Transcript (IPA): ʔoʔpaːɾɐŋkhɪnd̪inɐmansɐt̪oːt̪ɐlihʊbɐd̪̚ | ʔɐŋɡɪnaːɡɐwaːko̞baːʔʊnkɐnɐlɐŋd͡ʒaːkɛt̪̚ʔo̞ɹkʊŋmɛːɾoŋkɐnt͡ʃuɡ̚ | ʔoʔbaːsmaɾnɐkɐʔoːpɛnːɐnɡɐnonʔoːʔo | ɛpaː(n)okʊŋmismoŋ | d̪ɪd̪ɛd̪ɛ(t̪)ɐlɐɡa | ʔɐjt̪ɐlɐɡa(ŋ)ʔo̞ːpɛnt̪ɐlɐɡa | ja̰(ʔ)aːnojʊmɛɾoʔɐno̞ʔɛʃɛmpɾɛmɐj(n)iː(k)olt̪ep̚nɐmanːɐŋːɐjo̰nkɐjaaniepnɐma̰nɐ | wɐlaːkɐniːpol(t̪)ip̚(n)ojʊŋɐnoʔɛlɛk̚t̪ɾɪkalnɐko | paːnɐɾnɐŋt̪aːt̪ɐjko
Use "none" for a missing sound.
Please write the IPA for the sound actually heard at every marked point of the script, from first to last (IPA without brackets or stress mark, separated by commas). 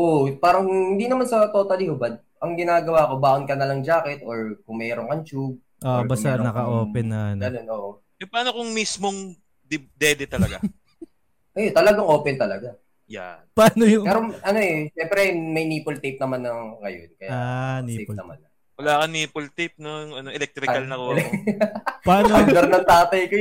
n, t̪, ŋ, p, n, p, t̪, n